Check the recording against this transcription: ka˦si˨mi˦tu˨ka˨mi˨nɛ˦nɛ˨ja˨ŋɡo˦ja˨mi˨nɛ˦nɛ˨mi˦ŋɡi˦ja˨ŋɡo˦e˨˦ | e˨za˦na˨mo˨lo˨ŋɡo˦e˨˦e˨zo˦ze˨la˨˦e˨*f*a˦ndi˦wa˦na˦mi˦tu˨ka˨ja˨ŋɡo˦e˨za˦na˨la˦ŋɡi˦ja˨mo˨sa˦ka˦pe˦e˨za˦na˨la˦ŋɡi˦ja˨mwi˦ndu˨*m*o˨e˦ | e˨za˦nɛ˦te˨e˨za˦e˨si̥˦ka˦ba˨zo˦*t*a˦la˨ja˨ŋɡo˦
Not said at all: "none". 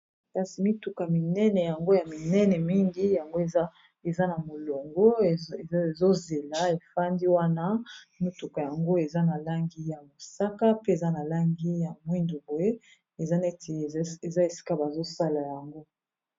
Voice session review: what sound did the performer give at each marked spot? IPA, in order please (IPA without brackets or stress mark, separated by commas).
f, b, s